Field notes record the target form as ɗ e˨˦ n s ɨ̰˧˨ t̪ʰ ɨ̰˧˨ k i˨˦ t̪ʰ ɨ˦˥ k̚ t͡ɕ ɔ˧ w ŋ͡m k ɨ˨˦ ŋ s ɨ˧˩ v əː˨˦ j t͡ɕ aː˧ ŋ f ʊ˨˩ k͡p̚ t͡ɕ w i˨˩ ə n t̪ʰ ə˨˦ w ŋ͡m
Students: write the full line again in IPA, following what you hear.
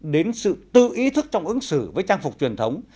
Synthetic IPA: ɗ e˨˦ n s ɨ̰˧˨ t̪ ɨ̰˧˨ ʔ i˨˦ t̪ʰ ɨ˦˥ k̚ t͡ɕ ɔ˧ w ŋ͡m ʔ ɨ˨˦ ŋ s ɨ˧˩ v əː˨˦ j t͡ɕ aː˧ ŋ f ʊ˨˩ k͡p̚ t͡ɕ w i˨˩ ə n t̪ʰ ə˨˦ w ŋ͡m

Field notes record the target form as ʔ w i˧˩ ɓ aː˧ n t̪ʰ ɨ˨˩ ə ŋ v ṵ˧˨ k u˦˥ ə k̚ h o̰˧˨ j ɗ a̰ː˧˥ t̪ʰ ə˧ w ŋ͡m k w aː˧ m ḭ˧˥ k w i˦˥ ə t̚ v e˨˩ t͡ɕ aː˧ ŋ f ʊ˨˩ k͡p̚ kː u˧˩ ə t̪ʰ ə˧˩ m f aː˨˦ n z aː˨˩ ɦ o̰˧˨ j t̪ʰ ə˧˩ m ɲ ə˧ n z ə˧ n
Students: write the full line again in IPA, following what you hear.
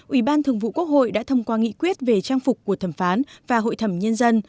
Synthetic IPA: ʔ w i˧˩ ɓ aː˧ n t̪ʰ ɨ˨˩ ə ŋ v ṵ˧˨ k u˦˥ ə k̚ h o̰˧˨ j ɗ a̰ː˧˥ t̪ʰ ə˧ w ŋ͡m k w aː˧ ŋ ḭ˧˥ k w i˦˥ ə t̚ v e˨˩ t͡ɕ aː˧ ŋ f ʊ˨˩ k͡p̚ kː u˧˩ ə t̪ʰ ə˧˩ m f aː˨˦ n v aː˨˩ ɦ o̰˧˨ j t̪ʰ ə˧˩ m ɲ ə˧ n z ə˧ n

